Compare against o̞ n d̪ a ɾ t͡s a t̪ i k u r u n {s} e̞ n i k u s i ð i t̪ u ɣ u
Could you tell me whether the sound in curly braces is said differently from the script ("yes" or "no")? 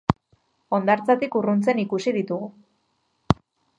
yes